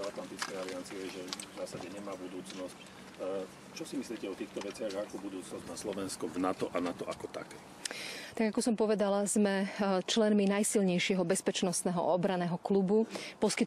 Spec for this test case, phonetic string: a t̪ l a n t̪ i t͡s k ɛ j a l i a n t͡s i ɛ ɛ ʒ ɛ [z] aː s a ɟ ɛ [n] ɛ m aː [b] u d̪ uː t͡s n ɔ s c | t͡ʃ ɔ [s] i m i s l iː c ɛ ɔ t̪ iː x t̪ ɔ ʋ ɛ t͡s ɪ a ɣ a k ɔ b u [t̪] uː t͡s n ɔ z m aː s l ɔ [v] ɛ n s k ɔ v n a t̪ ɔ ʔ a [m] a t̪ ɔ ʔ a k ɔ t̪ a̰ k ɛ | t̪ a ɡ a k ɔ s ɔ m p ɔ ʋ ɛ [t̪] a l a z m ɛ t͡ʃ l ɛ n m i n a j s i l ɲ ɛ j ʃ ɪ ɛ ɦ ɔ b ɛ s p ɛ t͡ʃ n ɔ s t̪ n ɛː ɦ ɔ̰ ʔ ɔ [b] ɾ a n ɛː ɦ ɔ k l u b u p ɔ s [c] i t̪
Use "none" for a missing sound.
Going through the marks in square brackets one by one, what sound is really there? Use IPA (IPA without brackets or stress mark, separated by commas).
z, ɲ, b, s, d̪, ʋ, n, d̪, b, k